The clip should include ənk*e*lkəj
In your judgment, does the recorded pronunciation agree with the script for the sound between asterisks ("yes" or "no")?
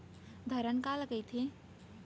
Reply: no